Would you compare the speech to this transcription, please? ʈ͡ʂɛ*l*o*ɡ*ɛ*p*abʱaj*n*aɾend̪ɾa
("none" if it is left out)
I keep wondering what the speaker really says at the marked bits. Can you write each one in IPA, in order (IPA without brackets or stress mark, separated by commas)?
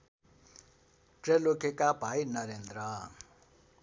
l, k, k, n